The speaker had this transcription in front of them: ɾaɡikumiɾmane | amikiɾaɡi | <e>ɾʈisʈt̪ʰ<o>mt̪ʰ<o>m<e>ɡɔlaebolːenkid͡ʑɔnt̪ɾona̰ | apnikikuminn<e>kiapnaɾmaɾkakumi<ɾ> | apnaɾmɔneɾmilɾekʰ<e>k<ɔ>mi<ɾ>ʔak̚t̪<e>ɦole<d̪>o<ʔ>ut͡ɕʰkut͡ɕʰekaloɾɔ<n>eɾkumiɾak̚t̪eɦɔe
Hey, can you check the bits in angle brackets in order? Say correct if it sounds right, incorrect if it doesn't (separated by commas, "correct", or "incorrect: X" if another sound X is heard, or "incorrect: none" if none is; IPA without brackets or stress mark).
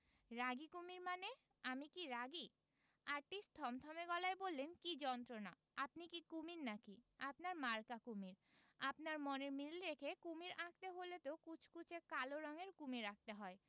incorrect: a, incorrect: ɔ, incorrect: ɔ, correct, incorrect: a, correct, correct, incorrect: u, correct, correct, incorrect: t̪, incorrect: k, incorrect: ŋ